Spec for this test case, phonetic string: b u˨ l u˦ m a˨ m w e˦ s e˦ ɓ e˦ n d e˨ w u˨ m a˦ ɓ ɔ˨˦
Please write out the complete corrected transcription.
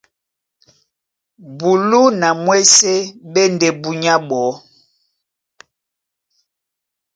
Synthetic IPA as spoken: b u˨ l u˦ n a˨ m w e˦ s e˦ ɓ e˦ n d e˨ b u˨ ɲ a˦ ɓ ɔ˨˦